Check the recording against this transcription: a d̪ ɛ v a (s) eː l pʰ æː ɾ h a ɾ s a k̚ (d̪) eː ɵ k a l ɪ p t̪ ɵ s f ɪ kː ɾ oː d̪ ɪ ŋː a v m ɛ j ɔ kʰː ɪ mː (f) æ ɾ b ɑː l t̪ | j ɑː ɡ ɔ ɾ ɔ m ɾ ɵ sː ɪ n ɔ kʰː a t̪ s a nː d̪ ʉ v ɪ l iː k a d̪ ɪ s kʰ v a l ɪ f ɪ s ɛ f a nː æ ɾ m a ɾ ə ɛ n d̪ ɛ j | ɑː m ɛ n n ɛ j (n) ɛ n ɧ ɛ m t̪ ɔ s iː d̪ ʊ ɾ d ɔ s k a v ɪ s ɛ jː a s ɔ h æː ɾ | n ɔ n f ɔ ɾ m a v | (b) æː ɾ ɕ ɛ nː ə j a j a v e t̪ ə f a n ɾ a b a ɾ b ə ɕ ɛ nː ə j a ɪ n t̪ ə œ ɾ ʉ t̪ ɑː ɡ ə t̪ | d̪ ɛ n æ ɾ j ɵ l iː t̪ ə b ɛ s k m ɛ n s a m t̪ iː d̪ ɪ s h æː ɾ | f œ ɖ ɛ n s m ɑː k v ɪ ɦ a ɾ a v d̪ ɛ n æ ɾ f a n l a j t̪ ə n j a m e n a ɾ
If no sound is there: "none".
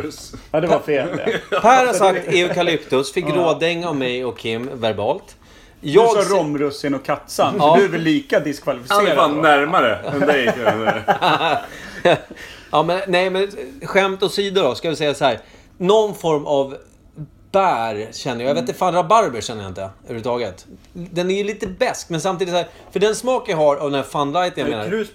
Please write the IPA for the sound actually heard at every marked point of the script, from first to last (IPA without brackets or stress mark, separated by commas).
f, t̪, v, m, b